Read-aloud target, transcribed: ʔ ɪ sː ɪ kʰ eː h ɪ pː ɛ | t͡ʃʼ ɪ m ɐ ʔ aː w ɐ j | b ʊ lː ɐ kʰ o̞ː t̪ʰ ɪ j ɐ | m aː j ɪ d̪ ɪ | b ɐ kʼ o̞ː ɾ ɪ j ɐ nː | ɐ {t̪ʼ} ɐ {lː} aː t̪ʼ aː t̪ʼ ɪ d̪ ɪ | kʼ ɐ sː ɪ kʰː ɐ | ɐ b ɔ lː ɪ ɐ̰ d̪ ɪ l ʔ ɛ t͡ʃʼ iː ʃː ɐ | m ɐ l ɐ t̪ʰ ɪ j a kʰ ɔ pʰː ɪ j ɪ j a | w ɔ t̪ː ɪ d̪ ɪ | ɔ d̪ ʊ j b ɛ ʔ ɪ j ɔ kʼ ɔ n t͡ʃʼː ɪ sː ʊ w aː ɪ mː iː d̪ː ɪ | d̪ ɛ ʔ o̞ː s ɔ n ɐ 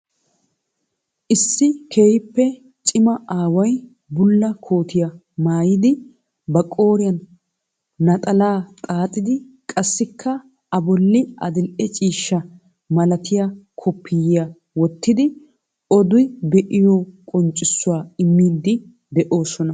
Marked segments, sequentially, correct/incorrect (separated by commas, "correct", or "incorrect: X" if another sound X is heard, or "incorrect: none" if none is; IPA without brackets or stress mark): correct, incorrect: l